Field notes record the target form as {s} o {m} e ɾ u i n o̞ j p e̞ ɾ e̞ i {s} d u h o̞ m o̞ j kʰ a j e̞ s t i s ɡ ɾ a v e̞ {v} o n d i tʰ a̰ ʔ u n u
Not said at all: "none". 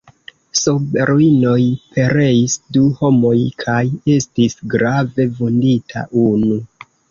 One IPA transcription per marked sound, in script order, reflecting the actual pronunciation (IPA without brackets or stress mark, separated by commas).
s, b, s, v